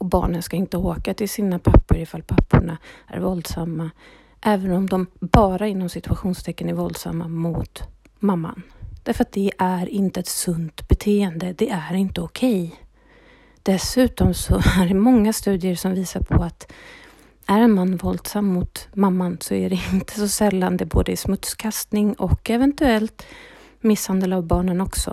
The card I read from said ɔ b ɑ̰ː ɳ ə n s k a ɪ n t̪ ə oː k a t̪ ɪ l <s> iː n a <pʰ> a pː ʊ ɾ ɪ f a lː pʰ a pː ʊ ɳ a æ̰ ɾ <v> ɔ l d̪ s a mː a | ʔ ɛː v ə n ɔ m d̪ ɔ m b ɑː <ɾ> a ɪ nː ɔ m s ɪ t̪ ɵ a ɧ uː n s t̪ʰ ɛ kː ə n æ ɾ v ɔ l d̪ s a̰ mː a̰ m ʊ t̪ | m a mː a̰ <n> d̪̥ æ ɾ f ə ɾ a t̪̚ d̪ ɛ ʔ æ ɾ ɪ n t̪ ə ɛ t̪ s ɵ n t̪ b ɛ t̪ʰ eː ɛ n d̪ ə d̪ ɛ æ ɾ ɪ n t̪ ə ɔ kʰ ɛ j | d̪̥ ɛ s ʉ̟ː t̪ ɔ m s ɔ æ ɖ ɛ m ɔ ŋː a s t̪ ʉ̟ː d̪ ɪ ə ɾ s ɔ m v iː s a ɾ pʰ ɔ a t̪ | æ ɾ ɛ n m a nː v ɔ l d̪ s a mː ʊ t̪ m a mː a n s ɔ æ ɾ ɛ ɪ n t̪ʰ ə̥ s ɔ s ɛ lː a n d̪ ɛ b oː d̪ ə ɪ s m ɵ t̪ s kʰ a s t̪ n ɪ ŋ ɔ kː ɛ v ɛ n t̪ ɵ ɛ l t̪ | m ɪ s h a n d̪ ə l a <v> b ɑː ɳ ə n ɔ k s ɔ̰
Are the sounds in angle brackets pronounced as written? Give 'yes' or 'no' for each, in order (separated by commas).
yes, yes, yes, yes, yes, yes